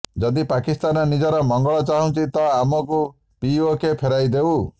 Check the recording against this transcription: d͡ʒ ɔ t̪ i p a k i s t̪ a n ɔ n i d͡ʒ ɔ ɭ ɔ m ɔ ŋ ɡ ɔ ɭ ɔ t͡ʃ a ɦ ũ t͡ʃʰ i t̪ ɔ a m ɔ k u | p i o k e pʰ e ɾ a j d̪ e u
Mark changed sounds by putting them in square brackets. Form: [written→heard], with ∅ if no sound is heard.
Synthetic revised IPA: d͡ʒ ɔ [t̪→d̪] i p a k i s t̪ a n ɔ n i d͡ʒ ɔ [ɭ→ɾ] ɔ m ɔ ŋ ɡ ɔ ɭ ɔ t͡ʃ a ɦ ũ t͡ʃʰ i t̪ ɔ a m ɔ k u | p i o k e pʰ e ɾ a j d̪ e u

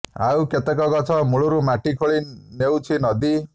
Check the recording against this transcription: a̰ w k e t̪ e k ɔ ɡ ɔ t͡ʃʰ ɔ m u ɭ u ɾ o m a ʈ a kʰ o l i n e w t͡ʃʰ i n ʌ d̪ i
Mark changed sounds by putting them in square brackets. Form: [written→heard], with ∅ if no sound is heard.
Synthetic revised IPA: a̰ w k e t̪ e k ɔ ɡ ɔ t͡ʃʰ ɔ m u ɭ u ɾ [o→u] m a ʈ [a→i] kʰ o [l→ɭ] i n e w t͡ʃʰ i n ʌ d̪ i

